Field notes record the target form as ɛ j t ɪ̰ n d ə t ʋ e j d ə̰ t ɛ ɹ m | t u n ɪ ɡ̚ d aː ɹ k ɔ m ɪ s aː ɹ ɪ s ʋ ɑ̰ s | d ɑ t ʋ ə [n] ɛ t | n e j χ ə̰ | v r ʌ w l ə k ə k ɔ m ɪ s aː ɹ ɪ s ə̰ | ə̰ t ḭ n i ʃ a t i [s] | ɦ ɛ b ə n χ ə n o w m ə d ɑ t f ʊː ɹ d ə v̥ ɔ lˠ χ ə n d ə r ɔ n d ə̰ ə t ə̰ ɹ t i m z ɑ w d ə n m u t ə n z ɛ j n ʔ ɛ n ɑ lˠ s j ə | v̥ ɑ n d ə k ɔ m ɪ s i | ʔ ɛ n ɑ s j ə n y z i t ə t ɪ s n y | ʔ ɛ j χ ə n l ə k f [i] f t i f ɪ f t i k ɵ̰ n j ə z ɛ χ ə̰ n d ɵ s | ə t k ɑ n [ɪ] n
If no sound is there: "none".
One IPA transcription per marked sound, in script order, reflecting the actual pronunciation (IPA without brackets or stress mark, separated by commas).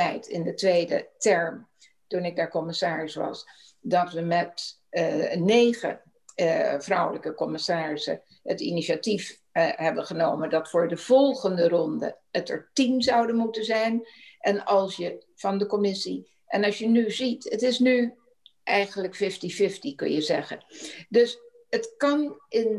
m, f, ɪ, ɪ